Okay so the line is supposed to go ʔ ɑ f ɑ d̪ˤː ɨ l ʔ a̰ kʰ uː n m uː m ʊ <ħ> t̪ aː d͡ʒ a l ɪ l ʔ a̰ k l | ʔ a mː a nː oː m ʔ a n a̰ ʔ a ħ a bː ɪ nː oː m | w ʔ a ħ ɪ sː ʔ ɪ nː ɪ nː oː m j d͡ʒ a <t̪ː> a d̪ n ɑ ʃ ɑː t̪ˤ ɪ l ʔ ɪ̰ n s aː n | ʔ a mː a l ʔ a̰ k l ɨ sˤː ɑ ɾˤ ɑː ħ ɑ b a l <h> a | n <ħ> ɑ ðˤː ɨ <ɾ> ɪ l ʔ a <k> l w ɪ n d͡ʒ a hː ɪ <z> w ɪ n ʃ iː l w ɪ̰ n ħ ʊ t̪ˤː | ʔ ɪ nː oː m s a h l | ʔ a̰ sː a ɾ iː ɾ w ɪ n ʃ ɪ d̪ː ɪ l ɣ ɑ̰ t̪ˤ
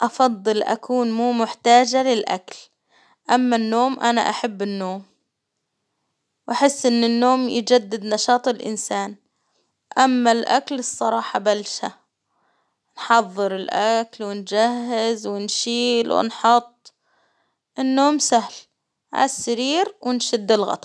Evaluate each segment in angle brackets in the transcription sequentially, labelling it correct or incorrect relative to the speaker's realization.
correct, incorrect: d̪ː, incorrect: ʃ, correct, correct, correct, correct

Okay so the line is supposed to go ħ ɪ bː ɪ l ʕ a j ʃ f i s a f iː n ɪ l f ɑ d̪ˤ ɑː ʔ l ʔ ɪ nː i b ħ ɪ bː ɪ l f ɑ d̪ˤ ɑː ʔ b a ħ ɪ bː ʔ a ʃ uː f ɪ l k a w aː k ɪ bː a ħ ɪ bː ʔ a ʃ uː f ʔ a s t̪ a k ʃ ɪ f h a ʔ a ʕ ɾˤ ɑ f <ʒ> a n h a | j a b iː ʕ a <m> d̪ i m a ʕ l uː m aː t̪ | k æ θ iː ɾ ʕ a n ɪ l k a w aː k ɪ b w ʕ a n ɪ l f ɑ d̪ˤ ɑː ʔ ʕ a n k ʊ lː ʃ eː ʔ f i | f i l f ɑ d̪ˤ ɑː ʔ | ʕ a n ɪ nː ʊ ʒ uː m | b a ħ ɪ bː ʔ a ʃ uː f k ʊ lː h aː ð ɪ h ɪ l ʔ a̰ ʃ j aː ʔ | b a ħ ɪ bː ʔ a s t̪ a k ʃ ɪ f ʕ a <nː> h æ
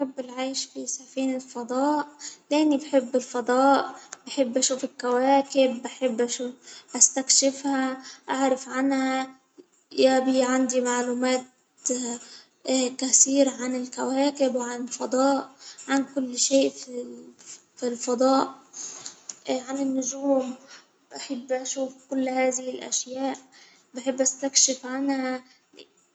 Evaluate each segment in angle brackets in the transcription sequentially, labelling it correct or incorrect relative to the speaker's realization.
incorrect: ʕ, incorrect: n, incorrect: n

